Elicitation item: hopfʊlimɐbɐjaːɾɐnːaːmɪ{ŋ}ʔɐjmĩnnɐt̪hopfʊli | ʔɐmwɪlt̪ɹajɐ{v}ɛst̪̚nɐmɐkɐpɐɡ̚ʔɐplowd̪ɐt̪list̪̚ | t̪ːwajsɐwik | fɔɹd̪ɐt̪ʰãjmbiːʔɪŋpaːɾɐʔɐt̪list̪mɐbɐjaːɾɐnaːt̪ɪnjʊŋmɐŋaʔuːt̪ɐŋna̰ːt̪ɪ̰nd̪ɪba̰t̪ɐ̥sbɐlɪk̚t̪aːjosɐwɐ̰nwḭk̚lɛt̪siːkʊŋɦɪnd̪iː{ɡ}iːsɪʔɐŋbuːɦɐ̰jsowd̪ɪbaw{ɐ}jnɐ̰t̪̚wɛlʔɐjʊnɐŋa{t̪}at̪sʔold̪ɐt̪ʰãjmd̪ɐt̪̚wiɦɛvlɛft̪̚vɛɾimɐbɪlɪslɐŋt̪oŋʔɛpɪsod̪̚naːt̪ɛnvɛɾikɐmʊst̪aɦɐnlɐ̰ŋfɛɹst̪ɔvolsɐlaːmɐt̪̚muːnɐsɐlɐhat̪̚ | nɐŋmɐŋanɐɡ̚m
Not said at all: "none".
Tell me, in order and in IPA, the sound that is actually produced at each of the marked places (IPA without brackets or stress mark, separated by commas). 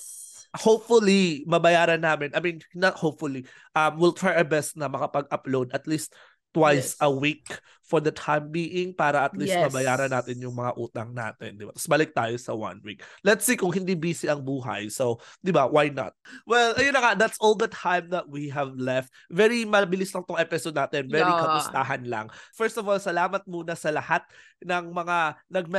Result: n, b, b, a, d̪